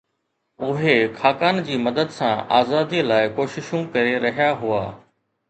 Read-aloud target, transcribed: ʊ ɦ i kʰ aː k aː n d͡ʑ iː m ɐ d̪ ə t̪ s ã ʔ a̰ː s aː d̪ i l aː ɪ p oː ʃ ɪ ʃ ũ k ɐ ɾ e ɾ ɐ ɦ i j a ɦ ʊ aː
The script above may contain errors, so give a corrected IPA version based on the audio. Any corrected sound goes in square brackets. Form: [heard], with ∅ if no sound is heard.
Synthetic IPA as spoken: ʊ ɦ [e] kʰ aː k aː n d͡ʑ iː m ɐ d̪ ə [d̪] s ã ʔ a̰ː [z] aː d̪ i l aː ɪ [k] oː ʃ ɪ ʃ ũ k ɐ ɾ e ɾ ɐ ɦ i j a ɦ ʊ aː